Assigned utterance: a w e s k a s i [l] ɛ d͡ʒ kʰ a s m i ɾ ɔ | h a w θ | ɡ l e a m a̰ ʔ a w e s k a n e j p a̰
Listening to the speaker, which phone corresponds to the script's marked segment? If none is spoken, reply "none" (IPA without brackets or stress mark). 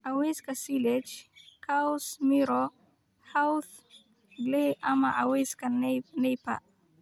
l